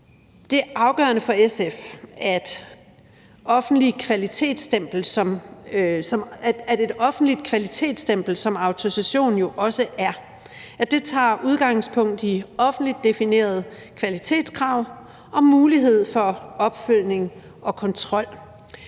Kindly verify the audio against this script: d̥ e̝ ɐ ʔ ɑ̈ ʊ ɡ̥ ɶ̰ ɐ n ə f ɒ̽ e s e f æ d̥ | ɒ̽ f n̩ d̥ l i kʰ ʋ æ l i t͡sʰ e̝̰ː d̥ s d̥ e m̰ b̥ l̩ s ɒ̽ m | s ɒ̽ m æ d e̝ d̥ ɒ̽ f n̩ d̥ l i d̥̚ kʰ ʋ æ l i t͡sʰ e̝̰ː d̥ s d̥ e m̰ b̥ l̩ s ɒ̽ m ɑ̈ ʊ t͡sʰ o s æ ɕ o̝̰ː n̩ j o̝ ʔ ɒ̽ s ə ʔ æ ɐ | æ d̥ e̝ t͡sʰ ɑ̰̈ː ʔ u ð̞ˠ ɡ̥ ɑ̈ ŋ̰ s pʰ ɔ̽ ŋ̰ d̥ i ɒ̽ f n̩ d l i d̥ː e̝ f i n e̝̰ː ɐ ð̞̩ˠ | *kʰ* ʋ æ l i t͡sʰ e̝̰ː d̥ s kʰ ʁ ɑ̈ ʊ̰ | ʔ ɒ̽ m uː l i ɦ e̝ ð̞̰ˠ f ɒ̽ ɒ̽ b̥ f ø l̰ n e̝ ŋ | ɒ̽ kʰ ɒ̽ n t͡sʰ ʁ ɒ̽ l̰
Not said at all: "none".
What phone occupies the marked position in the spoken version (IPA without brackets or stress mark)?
kʰ